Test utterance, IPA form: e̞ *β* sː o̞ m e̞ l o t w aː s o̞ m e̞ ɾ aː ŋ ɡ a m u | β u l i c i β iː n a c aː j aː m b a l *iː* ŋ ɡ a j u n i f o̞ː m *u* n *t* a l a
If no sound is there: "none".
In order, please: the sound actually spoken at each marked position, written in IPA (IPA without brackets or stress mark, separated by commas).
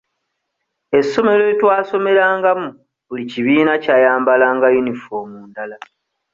none, aː, uː, d